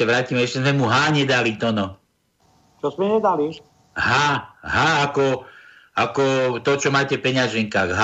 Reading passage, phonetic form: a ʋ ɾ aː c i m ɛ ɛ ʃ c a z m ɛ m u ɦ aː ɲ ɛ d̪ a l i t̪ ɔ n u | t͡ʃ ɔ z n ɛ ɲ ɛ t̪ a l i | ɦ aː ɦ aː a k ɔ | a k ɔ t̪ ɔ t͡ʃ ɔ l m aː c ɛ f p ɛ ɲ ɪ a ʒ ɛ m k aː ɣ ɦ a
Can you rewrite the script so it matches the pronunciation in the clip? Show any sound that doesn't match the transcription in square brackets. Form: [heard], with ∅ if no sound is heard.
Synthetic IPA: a ʋ ɾ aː c i m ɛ ɛ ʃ c [ɛ] z m ɛ m u ɦ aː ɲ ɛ d̪ a l i t̪ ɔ n [ɔ] | t͡ʃ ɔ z [m] ɛ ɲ ɛ [d̪] a l i | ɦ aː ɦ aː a k ɔ | a k ɔ t̪ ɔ t͡ʃ ɔ [∅] m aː c ɛ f p ɛ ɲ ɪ a ʒ ɛ [ŋ] k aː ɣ ɦ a